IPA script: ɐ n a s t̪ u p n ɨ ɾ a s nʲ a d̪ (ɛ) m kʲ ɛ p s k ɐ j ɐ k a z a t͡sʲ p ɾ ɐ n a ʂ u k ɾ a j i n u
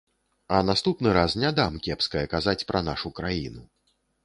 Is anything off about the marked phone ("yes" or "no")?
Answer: yes